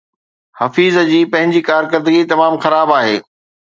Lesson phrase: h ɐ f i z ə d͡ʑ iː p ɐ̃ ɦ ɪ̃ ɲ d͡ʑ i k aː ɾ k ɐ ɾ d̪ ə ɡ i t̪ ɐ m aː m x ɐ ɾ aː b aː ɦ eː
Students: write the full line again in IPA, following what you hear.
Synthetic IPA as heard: h ɐ f iː z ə d͡ʑ iː p ɐ̃ ɦ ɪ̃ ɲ d͡ʑ i k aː ɾ k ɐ ɾ d̪ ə ɡ i t̪ ɐ m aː m x ɐ ɾ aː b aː ɦ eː